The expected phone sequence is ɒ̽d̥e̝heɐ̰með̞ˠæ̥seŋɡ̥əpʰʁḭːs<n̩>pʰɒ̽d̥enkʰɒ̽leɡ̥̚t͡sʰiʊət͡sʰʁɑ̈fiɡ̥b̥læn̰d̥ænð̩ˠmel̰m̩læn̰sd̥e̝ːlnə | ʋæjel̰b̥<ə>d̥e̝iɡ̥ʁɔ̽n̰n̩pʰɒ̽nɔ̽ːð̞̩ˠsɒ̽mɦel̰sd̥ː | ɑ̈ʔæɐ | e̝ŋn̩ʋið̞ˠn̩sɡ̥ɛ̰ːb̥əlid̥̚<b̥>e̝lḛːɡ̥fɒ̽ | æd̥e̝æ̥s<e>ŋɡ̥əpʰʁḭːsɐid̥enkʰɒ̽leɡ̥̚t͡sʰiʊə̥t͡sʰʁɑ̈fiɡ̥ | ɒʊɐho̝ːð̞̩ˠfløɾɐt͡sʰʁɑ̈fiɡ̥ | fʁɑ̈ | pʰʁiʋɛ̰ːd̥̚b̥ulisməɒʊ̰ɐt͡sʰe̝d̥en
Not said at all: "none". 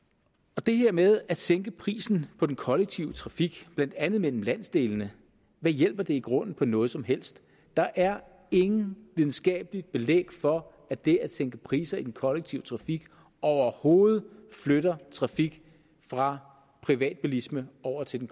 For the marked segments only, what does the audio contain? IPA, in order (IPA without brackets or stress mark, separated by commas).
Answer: n̩, ɐ, b̥, e